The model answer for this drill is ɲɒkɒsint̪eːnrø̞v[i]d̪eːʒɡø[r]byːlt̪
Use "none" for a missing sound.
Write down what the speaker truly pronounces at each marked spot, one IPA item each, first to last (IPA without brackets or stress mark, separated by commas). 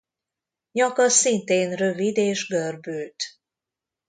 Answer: i, r